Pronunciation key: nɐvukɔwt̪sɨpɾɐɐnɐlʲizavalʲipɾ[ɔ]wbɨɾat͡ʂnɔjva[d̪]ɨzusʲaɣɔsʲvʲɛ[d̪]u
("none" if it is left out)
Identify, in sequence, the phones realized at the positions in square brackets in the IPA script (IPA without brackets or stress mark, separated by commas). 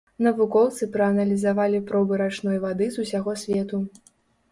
ɔ, d̪, t̪